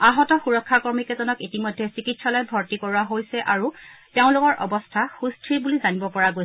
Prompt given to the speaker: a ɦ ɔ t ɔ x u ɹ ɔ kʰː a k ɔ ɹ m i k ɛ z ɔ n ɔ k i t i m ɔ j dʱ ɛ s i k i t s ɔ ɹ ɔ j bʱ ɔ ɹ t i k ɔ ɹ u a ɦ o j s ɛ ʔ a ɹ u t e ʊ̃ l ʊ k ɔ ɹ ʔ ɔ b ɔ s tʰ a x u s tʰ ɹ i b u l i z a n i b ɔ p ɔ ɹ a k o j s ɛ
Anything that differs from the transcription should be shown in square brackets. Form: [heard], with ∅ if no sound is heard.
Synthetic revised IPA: a ɦ ɔ t ɔ x u ɹ ɔ kʰː a k ɔ ɹ m i k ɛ z ɔ n ɔ k i t i m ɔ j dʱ ɛ s i k i t s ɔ [l] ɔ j bʱ ɔ ɹ t i k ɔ ɹ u a ɦ o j s ɛ ʔ a ɹ u t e ʊ̃ l ʊ k ɔ ɹ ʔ ɔ b ɔ s tʰ a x u s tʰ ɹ i b u l i z a n i b ɔ p ɔ ɹ a [ɡ] o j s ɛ